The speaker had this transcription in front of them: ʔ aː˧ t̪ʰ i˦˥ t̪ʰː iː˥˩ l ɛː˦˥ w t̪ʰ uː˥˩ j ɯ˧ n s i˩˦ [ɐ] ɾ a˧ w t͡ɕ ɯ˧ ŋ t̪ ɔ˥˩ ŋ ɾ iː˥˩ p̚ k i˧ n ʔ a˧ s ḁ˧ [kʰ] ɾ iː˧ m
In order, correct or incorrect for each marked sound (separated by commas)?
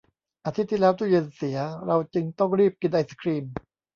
correct, correct